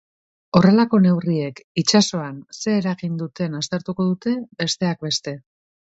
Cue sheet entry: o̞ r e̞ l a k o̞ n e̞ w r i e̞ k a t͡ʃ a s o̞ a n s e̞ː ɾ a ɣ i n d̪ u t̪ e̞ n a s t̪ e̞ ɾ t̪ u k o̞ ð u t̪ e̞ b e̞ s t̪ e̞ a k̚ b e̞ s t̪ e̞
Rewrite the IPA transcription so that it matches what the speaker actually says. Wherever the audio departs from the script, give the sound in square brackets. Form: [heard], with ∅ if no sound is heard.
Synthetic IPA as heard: o̞ r e̞ l a k o̞ n e̞ w r i e̞ k [i] t͡ʃ a s o̞ a n s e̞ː ɾ a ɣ i n d̪ u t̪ e̞ n a s t̪ e̞ ɾ t̪ u k o̞ ð u t̪ e̞ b e̞ s t̪ e̞ a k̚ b e̞ s t̪ e̞